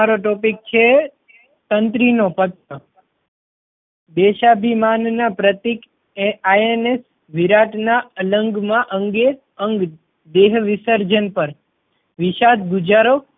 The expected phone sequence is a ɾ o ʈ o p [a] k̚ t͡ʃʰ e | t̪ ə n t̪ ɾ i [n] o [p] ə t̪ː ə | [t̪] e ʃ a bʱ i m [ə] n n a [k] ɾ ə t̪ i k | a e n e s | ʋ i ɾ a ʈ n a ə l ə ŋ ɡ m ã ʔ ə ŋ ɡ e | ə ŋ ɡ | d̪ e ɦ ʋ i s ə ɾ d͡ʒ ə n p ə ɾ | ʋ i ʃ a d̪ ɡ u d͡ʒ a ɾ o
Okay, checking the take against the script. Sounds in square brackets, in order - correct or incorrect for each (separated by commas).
incorrect, correct, correct, incorrect, incorrect, incorrect